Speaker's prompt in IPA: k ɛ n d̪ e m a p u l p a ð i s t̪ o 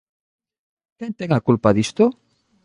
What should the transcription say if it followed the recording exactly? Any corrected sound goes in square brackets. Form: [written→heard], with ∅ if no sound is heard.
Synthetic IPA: k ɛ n [d̪→t̪] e [m→ŋ] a [p→k] u l p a ð i s t̪ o